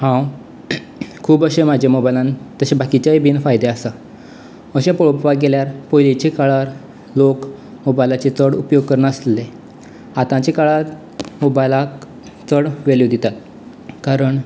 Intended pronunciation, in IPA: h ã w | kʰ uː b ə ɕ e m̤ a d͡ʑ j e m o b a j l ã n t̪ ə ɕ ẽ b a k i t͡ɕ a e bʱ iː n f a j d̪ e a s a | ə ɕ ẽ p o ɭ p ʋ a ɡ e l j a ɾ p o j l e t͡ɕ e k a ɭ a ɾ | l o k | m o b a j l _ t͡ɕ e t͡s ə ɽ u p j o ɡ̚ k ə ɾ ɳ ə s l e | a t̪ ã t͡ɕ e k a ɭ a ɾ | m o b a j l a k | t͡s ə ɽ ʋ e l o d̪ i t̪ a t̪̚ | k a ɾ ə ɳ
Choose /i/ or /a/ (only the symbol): a